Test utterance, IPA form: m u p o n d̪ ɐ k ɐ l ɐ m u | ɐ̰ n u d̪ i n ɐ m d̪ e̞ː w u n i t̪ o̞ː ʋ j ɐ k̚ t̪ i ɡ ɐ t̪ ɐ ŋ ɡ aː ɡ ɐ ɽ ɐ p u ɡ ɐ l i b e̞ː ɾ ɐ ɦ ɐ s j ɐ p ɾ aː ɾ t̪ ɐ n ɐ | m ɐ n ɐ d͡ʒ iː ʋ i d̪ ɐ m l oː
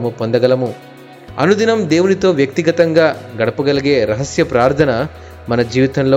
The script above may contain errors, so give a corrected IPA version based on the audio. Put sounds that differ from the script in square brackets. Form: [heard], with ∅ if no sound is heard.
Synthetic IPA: m u p o n d̪ ɐ [ɡ] ɐ l ɐ m u | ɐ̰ n u d̪ i n ɐ m d̪ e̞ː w u n i t̪ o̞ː ʋ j ɐ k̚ t̪ i ɡ ɐ t̪ ɐ ŋ ɡ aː ɡ ɐ ɽ ɐ p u ɡ ɐ l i [ɡ] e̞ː ɾ ɐ ɦ ɐ s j ɐ p ɾ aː ɾ [t̪ʰ] ɐ n ɐ | m ɐ n ɐ d͡ʒ iː ʋ i [t̪] ɐ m l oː